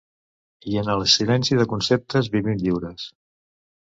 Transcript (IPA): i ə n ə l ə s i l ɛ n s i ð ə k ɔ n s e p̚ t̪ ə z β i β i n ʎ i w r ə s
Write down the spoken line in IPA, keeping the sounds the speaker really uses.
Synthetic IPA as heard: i ə n ə l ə s i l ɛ n s i ð ə k u n s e p̚ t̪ ə z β i β i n ʎ i w ɾ ə s

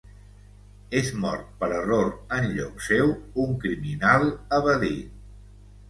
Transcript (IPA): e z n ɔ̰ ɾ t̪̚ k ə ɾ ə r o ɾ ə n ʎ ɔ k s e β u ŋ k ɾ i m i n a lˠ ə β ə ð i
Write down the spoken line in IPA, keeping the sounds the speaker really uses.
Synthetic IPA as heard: e z m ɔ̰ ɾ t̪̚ p ə ɾ ə r o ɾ ə n ʎ ɔ k s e w u ŋ k ɾ i m i n a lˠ ə β ə ð i

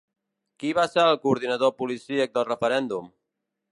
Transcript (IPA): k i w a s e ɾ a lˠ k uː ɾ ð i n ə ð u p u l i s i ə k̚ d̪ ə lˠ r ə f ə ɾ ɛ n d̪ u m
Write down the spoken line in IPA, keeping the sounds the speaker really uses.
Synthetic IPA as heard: k i β a s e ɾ ə lˠ k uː ɾ ð i n ə ð o p u l i s i ə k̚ d̪ ə lˠ r ə f ə ɾ ɛ n d̪ u m

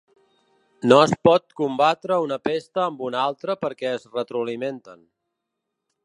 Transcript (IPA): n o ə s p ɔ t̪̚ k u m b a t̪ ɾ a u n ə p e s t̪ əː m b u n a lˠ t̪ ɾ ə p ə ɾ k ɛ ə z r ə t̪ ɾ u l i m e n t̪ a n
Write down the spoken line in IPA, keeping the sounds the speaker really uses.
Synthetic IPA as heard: n o ə s p ɔ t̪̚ k u m b a t̪ ɾ ə u n ə p e s t̪ əː m b u n a lˠ t̪ ɾ ə p ə ɾ k ɛ ə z r ə t̪ ɾ u l i m e n t̪ ə n

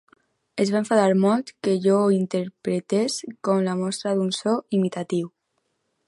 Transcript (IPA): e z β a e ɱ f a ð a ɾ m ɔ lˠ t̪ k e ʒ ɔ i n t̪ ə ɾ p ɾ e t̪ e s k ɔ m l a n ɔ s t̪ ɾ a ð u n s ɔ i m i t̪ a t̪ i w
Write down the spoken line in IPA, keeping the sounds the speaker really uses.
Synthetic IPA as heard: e z β a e ɱ f a ð a ɾ m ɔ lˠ t̪ k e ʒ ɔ i n t̪ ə ɾ p ɾ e t̪ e s k ɔ m l a m ɔ s t̪ ɾ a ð u n s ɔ i m i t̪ a t̪ i w

